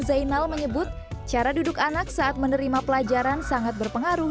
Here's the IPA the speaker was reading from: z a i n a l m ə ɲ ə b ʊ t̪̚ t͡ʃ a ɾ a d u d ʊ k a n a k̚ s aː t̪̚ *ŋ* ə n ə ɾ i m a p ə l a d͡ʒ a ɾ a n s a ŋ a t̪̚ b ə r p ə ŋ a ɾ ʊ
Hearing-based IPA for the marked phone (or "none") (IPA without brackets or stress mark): m